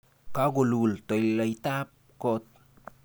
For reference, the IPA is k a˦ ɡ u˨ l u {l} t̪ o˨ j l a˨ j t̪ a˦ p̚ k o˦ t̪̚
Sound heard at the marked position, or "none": l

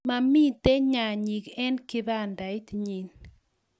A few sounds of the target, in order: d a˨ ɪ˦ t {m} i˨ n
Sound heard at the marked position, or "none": ɲ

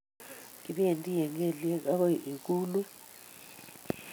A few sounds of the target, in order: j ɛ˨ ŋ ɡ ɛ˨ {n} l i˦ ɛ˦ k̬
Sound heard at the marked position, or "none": none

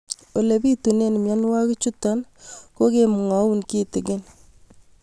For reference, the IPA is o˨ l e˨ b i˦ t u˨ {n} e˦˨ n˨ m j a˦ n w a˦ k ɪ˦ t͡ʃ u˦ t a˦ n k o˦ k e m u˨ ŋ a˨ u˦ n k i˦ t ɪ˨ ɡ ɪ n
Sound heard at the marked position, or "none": n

